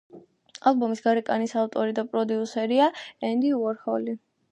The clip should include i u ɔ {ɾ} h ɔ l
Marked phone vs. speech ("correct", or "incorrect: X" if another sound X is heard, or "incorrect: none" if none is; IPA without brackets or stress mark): correct